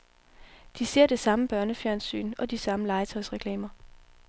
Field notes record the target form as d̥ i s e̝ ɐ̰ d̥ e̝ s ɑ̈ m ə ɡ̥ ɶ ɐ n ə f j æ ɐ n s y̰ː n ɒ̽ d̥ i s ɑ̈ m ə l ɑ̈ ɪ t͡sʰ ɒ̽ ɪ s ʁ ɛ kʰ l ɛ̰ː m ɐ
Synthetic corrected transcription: d̥ i s e̝ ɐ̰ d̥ e̝ s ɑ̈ m ə b̥ ɶ ɐ n ə f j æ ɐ n s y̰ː n ɒ̽ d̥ i s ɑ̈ m ə l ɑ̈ ɪ t͡sʰ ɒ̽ ɪ s ʁ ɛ kʰ l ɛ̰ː m ɐ